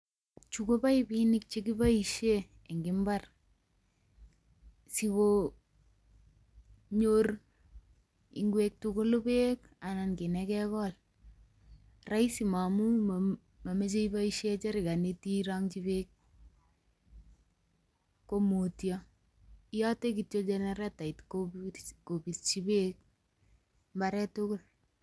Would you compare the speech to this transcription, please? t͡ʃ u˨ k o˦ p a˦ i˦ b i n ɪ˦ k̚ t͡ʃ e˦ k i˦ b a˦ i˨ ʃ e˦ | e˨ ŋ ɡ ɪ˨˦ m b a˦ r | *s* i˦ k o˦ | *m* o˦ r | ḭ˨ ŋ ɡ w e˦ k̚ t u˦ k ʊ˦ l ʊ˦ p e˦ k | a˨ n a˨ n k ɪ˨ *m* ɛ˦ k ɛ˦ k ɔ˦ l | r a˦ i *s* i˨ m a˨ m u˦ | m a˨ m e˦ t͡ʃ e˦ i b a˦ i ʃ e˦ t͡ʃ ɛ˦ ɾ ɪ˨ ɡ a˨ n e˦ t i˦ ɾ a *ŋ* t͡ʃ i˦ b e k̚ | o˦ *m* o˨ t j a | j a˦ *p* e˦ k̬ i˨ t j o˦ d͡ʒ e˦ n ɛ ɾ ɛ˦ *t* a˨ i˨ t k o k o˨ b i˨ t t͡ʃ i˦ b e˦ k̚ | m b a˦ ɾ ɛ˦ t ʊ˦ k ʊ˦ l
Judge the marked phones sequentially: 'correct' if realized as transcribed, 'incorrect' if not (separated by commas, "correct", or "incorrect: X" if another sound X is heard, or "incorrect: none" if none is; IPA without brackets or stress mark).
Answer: correct, incorrect: ɲ, incorrect: n, correct, correct, correct, incorrect: t, correct